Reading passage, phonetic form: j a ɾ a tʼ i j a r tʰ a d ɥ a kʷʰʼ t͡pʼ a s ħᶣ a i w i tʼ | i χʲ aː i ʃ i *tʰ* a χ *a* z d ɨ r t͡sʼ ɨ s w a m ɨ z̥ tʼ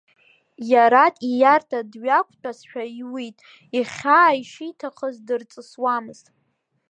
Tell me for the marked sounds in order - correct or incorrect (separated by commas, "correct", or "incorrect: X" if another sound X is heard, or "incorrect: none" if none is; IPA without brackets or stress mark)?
correct, incorrect: ə